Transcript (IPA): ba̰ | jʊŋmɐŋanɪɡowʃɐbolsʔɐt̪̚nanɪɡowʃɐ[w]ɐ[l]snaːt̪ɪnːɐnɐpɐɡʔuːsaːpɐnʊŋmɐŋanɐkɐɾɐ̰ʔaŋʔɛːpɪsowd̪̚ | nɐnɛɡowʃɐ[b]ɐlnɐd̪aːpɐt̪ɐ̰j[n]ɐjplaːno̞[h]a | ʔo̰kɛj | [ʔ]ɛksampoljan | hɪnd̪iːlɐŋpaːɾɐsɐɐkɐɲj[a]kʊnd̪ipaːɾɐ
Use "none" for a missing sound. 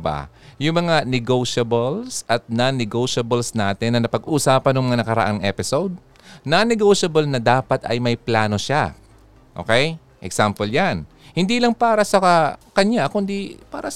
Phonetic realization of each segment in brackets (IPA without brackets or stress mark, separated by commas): b, l, b, m, ʃ, ʔ, a